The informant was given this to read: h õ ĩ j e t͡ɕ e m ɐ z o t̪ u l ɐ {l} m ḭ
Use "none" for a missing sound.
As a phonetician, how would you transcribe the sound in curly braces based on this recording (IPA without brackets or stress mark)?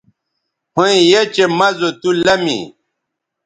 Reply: none